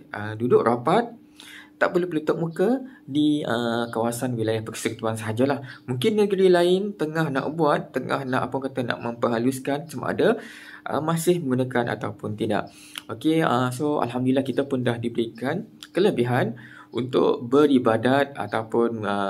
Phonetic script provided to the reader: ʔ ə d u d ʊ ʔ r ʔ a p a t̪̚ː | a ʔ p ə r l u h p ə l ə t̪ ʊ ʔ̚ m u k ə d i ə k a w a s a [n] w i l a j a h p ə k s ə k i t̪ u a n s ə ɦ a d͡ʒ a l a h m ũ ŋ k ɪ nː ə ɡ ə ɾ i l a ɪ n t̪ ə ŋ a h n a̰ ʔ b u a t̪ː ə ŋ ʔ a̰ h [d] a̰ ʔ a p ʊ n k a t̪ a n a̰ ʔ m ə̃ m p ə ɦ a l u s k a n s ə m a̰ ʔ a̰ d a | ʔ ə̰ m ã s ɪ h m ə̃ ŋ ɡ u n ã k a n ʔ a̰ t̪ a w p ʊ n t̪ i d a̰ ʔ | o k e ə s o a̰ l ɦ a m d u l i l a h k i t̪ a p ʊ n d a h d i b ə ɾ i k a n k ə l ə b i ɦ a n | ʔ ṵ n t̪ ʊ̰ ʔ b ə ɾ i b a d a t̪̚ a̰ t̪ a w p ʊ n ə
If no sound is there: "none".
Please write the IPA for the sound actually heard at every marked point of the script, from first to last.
n, n

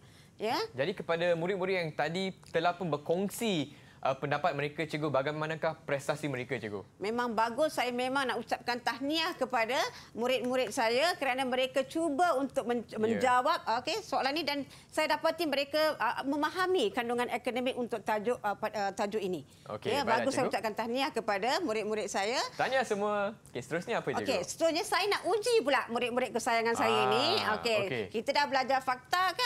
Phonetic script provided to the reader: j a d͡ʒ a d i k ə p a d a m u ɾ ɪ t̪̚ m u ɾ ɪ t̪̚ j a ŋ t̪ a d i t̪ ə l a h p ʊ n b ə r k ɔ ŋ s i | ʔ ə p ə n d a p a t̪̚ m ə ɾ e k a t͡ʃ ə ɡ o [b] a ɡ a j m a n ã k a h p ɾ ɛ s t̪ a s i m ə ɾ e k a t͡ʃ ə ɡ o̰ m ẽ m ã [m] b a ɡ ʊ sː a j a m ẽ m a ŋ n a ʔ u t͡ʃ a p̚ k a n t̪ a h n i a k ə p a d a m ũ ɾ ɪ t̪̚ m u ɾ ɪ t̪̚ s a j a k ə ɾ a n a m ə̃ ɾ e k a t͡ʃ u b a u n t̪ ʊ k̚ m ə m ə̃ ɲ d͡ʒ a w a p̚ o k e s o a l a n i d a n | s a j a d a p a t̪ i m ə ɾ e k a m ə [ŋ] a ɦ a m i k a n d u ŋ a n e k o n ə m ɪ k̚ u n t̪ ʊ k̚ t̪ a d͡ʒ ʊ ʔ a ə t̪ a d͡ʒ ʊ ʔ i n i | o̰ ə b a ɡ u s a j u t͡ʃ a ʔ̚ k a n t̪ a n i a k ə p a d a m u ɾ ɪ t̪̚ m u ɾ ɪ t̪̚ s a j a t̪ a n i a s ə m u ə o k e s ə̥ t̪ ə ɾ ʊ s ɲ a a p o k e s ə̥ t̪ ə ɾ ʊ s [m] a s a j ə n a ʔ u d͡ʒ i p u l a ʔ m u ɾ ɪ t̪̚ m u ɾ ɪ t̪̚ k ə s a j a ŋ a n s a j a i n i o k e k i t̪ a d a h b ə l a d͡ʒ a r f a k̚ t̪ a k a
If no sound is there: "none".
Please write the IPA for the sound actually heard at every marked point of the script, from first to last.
b, ŋ, m, ɲ

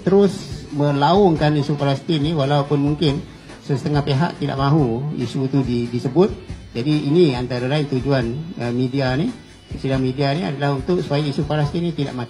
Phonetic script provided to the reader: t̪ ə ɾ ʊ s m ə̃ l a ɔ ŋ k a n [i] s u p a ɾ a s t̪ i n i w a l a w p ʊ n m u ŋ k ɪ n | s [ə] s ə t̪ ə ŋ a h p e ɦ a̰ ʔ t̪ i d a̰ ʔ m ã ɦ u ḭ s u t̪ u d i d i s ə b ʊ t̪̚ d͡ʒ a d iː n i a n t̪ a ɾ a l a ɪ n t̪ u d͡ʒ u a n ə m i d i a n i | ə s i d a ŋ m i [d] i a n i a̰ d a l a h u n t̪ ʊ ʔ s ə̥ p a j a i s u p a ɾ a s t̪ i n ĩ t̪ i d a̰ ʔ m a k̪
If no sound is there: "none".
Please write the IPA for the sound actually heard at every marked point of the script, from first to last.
i, ə, d

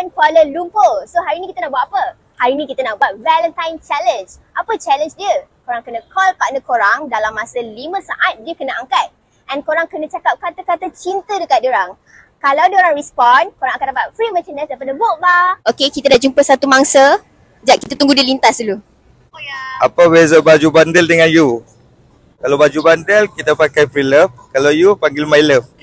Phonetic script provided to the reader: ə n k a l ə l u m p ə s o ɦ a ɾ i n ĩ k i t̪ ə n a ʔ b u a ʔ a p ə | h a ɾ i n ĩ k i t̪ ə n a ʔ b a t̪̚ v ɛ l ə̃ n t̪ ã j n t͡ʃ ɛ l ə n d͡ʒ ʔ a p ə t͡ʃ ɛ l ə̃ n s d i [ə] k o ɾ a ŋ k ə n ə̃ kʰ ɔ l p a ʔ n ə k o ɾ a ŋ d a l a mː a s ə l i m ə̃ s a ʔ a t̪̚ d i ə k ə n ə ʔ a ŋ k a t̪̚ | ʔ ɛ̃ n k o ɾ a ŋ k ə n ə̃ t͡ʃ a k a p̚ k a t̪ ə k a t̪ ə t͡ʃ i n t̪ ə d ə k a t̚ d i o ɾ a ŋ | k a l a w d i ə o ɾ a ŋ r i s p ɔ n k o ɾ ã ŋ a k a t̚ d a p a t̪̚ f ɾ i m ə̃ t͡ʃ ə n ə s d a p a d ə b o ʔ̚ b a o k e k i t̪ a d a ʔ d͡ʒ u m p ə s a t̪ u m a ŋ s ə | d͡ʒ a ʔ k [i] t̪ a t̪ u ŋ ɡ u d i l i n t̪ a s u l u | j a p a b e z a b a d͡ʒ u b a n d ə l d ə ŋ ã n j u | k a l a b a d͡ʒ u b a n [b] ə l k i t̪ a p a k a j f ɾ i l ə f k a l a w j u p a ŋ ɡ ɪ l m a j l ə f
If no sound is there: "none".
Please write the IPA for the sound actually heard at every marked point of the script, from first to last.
ə, i, d

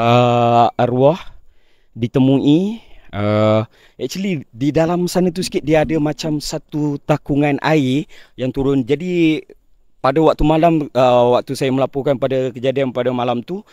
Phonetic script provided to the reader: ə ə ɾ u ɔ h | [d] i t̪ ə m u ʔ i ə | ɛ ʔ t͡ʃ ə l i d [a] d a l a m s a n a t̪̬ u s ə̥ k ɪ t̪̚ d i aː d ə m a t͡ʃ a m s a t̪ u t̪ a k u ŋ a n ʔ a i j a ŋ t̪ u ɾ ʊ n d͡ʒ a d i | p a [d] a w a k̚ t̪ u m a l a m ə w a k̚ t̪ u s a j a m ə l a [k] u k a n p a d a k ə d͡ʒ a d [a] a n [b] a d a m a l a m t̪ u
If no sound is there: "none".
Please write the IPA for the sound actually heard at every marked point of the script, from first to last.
d, i, d, p, i, p

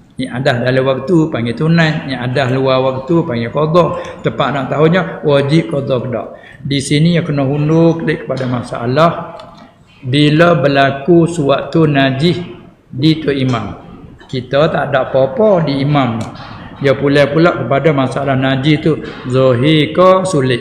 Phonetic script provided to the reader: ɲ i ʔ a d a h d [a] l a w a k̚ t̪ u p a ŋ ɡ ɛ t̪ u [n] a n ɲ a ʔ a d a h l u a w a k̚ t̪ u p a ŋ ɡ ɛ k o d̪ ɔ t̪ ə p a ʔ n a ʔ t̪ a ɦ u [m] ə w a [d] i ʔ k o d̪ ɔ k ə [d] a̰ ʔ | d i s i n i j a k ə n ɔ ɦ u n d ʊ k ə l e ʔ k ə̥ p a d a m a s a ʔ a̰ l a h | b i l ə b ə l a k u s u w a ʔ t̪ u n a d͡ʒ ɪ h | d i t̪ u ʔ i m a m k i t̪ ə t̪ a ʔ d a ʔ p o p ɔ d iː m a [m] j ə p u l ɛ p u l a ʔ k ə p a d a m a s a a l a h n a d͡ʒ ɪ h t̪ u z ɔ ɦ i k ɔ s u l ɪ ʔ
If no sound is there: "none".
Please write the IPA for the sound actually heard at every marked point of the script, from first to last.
a, n, ɲ, d͡ʒ, d, m

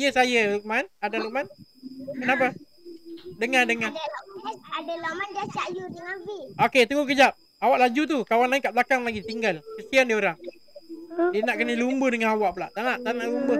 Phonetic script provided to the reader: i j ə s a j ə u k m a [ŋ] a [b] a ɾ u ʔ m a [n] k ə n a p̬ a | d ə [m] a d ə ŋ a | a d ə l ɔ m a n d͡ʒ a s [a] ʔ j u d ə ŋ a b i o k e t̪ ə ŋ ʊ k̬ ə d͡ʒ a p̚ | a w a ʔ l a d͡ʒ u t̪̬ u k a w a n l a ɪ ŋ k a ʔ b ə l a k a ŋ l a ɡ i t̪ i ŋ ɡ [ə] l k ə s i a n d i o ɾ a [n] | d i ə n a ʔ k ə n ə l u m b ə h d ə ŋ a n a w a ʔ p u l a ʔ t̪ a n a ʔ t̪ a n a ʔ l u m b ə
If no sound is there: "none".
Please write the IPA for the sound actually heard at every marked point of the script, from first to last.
n, d, n, ŋ, a, a, ŋ

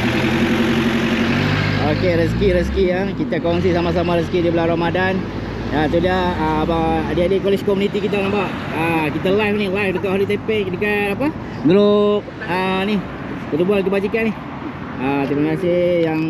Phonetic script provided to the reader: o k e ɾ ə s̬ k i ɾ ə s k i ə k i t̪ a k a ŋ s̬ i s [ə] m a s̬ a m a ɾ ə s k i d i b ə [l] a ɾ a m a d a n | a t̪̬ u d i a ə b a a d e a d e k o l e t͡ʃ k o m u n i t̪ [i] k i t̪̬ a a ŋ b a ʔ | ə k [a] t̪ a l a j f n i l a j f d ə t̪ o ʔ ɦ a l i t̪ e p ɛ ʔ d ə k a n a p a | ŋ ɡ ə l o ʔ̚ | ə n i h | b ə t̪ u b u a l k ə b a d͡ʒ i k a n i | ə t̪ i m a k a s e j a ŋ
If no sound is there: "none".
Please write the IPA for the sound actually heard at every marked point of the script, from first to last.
a, l, i, i

